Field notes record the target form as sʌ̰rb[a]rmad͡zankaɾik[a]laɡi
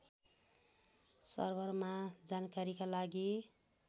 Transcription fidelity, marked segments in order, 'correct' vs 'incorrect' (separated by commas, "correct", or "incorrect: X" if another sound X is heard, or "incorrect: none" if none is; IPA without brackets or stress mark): incorrect: ʌ, correct